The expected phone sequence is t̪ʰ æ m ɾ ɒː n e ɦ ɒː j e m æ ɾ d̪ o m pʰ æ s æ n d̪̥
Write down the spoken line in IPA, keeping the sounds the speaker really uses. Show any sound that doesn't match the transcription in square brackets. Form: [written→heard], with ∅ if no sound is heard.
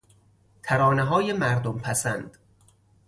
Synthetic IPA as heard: t̪ʰ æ [m→∅] ɾ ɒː n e ɦ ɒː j e m æ ɾ d̪ o m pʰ æ s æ n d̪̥